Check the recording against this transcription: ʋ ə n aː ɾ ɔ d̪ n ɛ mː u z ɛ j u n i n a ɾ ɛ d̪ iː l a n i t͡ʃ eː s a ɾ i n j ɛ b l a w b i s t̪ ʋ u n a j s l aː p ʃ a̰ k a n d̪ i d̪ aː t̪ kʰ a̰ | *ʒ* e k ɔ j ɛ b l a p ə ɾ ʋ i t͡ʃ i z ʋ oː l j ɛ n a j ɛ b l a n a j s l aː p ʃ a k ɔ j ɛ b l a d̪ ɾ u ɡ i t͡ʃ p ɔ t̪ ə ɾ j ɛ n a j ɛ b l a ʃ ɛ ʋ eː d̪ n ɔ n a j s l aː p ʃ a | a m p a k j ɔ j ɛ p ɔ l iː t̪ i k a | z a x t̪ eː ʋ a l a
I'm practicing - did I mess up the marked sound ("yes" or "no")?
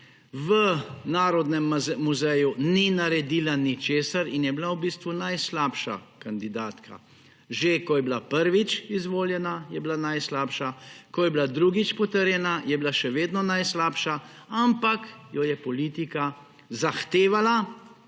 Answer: no